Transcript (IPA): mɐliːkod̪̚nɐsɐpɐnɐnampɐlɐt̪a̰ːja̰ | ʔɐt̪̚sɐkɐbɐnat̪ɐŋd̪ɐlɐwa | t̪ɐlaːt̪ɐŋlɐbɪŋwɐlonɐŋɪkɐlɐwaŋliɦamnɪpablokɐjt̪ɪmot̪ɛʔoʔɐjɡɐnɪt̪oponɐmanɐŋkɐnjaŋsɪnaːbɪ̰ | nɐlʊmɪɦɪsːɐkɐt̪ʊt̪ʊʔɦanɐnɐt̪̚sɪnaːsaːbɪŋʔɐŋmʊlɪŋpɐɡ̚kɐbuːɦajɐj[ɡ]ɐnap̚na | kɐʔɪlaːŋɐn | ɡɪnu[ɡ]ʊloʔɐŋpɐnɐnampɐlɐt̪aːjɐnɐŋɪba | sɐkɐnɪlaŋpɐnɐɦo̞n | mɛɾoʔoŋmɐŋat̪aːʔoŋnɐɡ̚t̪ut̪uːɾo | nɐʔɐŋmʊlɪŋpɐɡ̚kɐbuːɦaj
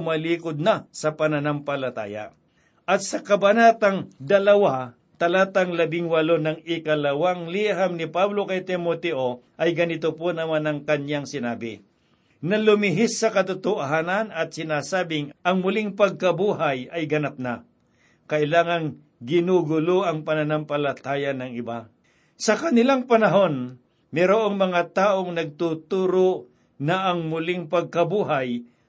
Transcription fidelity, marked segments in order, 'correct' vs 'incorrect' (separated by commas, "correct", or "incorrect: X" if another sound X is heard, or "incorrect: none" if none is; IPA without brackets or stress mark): correct, correct